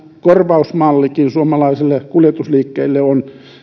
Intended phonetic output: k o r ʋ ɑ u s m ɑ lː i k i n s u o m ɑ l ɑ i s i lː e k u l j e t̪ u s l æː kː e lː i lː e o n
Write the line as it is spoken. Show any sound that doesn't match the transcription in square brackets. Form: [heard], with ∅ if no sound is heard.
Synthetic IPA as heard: k o r ʋ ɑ u s m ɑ lː i k i n s u o m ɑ l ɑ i s i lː e k u l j e t̪ u s l [iː] kː e [∅] i lː e o n